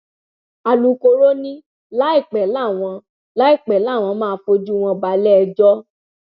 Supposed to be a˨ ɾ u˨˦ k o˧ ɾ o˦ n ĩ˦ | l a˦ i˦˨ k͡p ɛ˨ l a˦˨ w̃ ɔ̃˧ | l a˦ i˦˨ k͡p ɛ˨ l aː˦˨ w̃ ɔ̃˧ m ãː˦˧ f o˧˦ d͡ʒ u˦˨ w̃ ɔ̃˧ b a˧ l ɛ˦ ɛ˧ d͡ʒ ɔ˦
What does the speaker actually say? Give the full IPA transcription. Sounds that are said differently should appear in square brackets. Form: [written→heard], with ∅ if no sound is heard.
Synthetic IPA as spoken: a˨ [ɾ→l] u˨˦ k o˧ ɾ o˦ n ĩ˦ | l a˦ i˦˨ k͡p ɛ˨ l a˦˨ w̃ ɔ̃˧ | l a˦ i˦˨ k͡p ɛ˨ l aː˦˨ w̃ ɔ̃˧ m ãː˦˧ f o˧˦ d͡ʒ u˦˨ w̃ ɔ̃˧ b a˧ l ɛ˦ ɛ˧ d͡ʒ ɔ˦